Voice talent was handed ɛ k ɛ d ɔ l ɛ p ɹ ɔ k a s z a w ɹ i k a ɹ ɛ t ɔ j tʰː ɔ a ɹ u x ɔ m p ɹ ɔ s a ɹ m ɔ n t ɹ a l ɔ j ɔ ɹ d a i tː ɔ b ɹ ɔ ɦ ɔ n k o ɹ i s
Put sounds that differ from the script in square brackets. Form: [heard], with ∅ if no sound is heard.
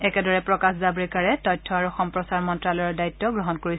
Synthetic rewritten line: ɛ k ɛ d ɔ [ɹ] ɛ p ɹ ɔ k a s z a [b] ɹ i k a ɹ ɛ t ɔ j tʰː ɔ a ɹ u x ɔ m p ɹ ɔ s a ɹ m ɔ n t ɹ a l ɔ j ɔ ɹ d a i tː ɔ [ɡ] ɹ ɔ ɦ ɔ n k o ɹ i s